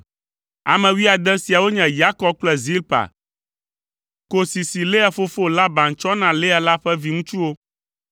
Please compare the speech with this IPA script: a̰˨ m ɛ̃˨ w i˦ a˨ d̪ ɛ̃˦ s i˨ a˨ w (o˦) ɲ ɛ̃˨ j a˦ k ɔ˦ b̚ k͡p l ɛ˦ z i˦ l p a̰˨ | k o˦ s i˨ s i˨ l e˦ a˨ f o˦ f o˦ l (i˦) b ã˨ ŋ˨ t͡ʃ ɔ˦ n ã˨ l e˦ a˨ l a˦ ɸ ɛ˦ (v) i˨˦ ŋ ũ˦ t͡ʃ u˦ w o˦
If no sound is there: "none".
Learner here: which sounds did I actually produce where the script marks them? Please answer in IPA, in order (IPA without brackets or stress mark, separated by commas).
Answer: o˦, a˦, v